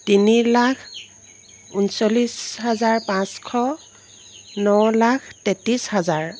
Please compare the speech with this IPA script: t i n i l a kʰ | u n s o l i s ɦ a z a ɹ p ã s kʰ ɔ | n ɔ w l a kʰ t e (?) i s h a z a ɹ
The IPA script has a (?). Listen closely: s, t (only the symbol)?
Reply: t